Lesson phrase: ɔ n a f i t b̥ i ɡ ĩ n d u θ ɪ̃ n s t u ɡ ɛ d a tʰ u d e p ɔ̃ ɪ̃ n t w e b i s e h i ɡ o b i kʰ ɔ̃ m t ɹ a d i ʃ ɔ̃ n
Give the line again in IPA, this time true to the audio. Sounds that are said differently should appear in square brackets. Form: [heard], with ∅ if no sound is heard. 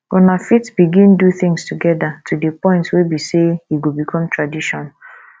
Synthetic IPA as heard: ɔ n a f i t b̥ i ɡ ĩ n d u θ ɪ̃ [ŋ] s t u ɡ ɛ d a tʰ u d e p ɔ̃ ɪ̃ n t w e b i s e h i ɡ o b i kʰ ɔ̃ m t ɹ a d i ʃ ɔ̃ n